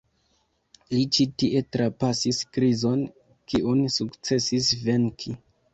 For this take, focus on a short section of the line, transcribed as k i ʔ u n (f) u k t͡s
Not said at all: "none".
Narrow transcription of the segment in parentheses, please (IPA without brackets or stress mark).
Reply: s